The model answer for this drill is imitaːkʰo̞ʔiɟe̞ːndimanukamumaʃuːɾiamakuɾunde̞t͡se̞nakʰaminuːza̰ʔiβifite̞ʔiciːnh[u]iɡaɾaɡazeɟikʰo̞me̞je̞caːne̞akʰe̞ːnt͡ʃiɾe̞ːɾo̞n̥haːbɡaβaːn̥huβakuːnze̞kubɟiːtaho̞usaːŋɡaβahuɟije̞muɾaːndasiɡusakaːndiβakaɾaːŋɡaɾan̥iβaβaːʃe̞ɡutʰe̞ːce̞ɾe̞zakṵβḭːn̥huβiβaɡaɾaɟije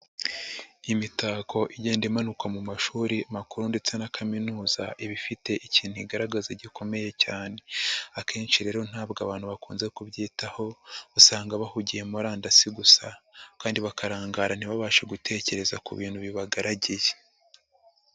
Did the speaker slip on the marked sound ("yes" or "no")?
no